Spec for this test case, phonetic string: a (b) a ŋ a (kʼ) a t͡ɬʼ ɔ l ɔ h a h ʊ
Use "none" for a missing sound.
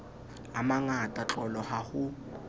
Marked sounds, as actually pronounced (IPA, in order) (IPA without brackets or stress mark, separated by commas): m, tʼ